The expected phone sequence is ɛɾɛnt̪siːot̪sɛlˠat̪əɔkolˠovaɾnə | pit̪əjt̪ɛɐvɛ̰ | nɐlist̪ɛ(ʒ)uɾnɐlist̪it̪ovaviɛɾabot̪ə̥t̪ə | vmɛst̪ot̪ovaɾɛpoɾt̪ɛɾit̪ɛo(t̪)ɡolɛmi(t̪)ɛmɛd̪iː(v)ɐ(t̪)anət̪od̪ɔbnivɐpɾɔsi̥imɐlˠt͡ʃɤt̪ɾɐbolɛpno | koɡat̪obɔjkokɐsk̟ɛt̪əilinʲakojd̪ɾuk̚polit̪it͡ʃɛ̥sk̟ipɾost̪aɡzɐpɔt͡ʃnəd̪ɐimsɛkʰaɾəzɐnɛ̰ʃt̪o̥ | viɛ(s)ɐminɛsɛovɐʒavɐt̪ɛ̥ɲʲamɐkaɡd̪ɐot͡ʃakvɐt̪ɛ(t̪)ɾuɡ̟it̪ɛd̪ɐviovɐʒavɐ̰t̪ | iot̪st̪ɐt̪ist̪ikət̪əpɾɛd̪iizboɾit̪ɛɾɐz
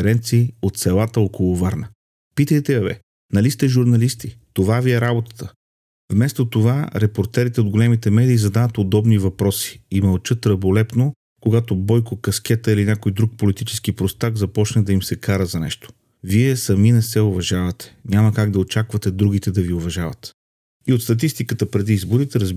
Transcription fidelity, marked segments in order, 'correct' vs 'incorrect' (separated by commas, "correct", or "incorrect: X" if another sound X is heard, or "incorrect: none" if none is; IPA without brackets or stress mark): correct, incorrect: d̪, correct, incorrect: z, incorrect: d̪, correct, incorrect: d̪